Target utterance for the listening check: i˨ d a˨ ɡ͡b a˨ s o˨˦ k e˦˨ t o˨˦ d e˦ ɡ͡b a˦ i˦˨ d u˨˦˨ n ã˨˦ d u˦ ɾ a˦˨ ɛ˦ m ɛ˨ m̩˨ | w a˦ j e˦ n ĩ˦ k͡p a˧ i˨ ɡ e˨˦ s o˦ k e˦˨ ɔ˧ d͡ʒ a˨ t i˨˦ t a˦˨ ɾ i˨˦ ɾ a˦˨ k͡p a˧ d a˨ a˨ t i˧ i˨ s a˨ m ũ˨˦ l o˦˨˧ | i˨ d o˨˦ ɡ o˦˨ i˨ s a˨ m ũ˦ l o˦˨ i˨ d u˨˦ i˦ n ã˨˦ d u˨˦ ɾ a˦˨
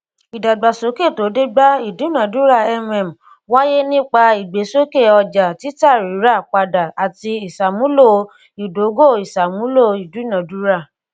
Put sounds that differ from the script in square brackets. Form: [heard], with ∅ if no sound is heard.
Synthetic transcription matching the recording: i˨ d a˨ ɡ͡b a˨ s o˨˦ k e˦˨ t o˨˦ d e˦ ɡ͡b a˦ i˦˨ d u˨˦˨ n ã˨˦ d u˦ ɾ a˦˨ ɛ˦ m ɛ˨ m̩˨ | w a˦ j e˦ n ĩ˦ k͡p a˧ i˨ [ɡ͡b] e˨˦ s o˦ k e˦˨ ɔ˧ d͡ʒ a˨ t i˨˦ t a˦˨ ɾ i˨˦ ɾ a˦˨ k͡p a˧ d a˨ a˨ t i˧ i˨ s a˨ m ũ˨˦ l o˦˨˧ | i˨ d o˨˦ ɡ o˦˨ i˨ s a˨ m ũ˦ l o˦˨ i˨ d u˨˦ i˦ n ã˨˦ d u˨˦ ɾ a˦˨